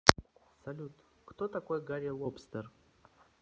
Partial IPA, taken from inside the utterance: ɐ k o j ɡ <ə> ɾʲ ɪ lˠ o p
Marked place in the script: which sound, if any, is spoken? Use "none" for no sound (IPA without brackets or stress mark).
a